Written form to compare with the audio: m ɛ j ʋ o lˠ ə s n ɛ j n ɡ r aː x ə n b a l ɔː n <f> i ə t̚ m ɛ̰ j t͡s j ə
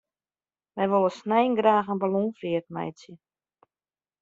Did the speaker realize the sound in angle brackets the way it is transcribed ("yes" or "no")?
yes